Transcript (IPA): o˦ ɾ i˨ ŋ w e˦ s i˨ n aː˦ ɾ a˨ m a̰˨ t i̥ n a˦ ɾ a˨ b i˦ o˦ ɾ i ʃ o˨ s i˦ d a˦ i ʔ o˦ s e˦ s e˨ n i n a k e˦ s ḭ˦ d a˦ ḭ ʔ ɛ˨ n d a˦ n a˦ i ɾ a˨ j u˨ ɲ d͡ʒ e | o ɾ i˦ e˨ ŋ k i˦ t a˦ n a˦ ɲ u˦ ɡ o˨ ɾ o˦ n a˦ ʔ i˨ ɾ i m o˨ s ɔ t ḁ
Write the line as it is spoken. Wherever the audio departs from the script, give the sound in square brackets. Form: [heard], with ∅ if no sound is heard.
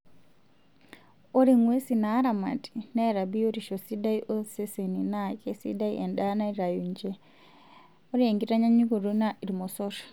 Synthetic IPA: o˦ ɾ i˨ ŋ w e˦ s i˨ n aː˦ ɾ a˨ m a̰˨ t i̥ n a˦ ɾ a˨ b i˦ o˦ ɾ i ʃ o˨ s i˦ d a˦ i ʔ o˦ s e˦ s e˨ n i n a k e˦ s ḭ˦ d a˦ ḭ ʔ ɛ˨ n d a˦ n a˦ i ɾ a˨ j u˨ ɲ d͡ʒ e | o ɾ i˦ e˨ ŋ [ɡ] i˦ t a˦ [ɲ] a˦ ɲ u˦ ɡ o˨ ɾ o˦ n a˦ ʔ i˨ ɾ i m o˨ s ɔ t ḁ